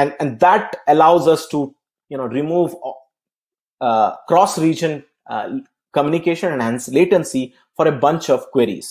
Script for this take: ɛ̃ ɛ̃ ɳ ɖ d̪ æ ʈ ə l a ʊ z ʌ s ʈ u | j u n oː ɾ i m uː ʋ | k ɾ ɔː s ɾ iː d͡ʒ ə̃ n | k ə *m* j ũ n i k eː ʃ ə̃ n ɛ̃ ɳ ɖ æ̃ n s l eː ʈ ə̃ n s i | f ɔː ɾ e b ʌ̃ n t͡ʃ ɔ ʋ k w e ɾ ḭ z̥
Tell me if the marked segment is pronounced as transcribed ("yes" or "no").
yes